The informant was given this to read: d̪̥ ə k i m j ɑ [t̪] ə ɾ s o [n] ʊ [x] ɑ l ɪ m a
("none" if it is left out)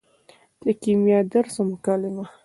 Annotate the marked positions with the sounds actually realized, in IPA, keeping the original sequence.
d̪, m, k

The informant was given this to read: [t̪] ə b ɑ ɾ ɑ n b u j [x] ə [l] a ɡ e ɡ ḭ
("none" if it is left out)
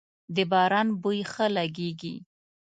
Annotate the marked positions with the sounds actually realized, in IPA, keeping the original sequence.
d̪, x, l

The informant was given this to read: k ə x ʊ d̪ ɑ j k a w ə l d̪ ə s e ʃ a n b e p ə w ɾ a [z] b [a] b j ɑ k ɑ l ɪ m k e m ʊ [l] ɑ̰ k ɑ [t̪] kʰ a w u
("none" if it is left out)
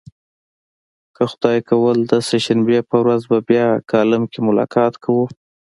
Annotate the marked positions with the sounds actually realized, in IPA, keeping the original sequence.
z, a, l, t̪

